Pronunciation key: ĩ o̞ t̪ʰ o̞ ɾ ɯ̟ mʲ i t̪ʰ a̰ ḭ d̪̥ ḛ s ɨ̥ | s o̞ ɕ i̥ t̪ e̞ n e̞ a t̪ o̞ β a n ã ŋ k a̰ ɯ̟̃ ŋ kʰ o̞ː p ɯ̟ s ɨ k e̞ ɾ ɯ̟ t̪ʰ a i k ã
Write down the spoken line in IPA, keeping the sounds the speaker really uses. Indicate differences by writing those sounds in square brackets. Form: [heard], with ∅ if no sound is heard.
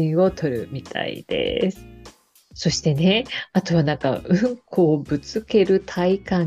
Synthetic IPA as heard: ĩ o̞ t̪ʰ o̞ ɾ ɯ̟ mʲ i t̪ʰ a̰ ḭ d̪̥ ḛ s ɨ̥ | s o̞ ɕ i̥ t̪ e̞ n e̞ a t̪ o̞ β a n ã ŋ k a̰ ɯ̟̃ ŋ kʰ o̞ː [b] ɯ̟ [t͡s] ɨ k e̞ ɾ ɯ̟ t̪ʰ a i k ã